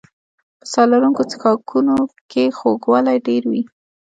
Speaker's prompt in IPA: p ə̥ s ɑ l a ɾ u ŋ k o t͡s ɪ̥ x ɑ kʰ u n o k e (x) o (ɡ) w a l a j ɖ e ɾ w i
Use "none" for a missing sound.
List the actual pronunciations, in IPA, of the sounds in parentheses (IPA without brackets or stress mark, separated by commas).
x, ɡ